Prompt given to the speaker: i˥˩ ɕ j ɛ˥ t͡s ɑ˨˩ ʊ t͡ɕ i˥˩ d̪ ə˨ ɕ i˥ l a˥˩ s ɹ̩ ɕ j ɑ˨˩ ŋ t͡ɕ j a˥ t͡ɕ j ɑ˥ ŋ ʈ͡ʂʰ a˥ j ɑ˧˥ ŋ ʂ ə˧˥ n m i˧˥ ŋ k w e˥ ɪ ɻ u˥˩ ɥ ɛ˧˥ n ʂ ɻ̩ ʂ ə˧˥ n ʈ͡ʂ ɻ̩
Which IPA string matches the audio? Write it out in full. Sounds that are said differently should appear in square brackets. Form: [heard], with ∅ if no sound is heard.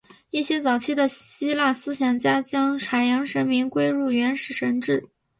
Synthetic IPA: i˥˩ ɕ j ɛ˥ t͡s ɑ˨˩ ʊ [t͡ɕʰ] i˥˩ d̪ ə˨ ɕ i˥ l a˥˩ s ɹ̩ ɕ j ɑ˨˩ ŋ t͡ɕ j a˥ t͡ɕ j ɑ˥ ŋ ʈ͡ʂʰ [a˨˩] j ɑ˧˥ ŋ ʂ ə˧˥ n m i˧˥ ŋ k w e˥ ɪ ɻ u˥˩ ɥ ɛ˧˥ n ʂ ɻ̩ ʂ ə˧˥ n ʈ͡ʂ ɻ̩